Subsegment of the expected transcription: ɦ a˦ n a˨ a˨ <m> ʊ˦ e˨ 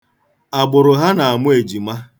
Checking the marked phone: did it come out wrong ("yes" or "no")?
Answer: no